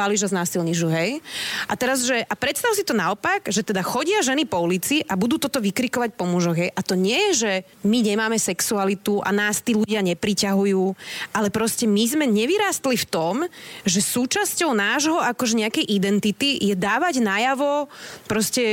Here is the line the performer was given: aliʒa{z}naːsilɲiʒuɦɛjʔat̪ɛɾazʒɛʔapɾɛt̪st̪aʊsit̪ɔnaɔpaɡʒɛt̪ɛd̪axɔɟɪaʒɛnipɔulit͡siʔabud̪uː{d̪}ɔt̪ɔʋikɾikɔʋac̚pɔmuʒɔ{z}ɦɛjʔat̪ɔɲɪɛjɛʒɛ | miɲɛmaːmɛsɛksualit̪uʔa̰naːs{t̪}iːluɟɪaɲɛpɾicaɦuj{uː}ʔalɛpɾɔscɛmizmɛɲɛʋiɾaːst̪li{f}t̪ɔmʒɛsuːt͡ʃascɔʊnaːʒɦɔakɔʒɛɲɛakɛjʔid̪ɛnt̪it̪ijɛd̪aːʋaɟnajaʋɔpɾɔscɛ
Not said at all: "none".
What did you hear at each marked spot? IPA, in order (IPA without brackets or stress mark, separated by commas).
z, t̪, ɣ, t̪, uː, f